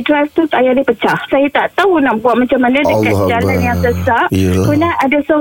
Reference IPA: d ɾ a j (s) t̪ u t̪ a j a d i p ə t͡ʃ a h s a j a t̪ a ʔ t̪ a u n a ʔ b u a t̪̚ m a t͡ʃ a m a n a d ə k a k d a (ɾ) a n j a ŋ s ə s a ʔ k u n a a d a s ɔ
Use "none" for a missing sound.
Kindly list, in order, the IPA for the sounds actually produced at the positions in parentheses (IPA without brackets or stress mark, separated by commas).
f, l